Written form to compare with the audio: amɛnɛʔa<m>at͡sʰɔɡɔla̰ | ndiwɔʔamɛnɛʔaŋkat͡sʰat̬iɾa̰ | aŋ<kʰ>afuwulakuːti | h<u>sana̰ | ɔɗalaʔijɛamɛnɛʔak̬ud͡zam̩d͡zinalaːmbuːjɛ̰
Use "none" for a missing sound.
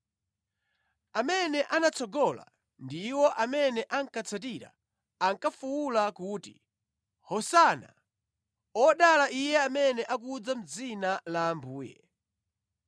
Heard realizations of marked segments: n, k, ɔ

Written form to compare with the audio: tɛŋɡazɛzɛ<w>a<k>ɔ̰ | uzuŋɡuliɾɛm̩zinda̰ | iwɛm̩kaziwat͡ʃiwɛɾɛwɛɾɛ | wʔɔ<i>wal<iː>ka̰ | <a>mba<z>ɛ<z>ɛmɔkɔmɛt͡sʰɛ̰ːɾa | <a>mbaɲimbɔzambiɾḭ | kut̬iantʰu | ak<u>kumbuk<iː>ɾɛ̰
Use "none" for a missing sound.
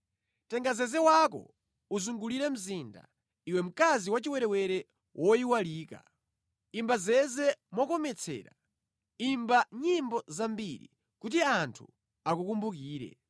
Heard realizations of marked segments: w, k, i, iː, i, z, z, i, u, iː

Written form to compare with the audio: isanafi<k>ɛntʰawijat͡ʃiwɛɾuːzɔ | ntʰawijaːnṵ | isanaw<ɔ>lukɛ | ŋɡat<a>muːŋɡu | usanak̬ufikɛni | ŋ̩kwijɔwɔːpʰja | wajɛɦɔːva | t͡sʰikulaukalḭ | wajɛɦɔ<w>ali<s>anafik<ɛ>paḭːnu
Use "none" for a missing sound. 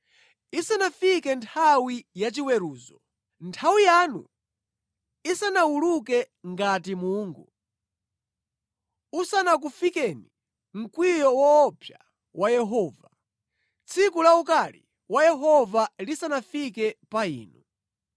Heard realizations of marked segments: k, u, i, v, s, ɛ

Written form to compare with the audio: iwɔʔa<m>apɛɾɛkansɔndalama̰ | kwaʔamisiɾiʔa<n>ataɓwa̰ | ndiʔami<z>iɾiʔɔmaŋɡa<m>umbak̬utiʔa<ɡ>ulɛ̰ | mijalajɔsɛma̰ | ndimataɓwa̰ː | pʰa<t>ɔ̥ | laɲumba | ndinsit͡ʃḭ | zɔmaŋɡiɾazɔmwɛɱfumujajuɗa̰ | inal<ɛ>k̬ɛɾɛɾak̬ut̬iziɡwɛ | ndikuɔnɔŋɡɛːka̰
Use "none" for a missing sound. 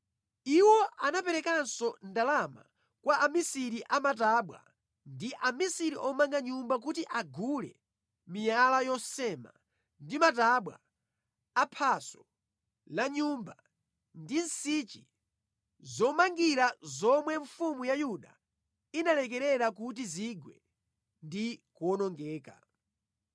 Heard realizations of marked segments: n, m, s, ɲ, ɡ, s, ɛ

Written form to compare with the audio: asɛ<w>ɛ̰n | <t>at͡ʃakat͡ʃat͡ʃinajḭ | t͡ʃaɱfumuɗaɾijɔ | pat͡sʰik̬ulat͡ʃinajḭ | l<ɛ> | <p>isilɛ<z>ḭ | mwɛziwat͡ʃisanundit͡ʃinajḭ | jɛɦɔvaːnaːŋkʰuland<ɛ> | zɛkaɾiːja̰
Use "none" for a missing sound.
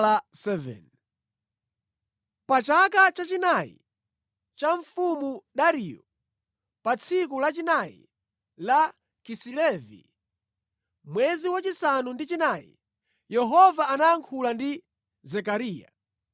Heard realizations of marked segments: v, p, a, k, v, i

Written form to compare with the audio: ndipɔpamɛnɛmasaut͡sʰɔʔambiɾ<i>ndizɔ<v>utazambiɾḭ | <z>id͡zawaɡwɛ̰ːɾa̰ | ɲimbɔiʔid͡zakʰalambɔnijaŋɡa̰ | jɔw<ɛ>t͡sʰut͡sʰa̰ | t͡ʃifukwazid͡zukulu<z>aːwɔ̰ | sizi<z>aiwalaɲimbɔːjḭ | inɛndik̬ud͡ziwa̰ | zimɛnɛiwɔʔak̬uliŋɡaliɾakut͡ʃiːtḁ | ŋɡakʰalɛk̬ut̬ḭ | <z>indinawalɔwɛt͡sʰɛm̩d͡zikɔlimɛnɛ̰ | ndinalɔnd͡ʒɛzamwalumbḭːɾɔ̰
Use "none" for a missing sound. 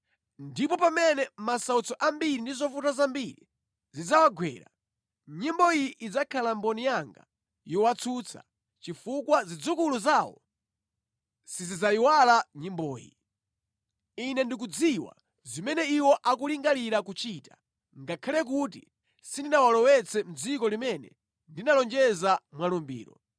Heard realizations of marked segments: i, f, z, a, z, z, s

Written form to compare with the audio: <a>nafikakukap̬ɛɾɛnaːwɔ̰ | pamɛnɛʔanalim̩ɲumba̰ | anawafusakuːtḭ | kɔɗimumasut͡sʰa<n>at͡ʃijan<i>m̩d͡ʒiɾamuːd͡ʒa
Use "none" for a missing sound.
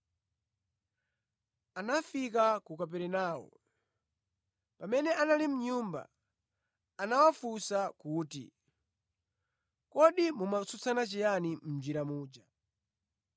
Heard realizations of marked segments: a, n, i

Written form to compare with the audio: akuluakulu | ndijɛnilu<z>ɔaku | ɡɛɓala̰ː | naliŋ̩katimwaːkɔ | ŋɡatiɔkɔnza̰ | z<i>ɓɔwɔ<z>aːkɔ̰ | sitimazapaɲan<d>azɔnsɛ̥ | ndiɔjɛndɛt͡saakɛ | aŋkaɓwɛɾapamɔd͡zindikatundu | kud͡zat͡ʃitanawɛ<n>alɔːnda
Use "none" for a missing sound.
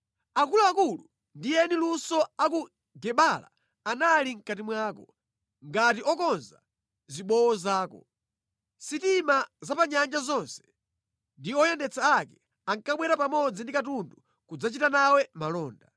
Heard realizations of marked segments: s, i, z, d͡ʒ, m

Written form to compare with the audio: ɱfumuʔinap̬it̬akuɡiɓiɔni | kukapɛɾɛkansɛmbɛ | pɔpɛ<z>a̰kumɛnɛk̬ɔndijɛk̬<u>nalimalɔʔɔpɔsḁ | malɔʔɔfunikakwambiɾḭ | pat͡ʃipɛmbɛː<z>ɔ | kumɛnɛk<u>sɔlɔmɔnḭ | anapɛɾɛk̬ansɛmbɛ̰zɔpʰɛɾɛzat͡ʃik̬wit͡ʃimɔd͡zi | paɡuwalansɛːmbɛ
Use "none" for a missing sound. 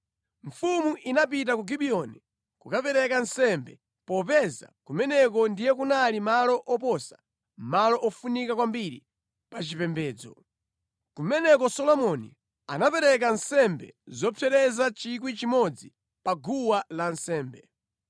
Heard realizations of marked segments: z, u, d͡z, ɔ

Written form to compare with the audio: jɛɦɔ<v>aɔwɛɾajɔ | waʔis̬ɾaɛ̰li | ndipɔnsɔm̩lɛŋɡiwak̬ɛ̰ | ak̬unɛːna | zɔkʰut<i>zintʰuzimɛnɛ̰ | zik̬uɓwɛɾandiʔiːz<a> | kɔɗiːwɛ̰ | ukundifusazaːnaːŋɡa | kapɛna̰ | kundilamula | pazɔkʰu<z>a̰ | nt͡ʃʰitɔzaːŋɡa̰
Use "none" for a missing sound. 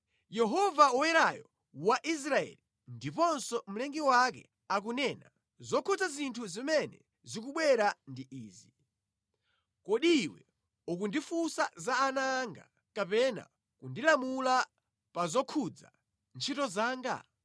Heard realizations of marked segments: v, a, i, d͡z

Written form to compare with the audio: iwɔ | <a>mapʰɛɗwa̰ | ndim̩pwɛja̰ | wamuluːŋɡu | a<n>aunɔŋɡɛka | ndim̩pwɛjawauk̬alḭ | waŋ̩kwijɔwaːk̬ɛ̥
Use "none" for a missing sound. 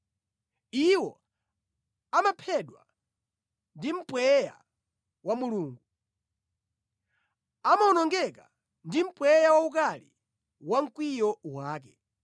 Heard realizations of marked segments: a, m

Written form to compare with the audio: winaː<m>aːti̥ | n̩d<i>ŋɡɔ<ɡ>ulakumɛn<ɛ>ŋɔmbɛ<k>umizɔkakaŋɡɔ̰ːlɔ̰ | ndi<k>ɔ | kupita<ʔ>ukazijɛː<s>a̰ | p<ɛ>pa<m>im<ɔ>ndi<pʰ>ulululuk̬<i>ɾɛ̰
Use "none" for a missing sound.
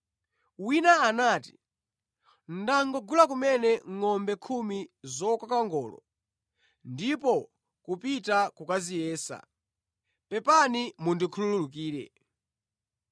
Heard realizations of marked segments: n, a, ɡ, ɛ, kʰ, p, k, s, ɛ, n, u, kʰ, iː

